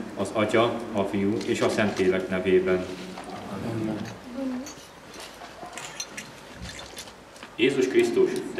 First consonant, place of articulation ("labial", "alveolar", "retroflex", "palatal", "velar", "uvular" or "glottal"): alveolar